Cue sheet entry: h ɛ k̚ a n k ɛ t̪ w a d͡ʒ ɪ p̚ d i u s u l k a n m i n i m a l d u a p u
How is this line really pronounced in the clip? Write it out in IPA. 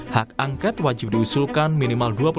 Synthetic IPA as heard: h a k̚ a ŋ k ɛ t̪ w a d͡ʒ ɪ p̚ d i u s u l k a n m i n i m a l d u a p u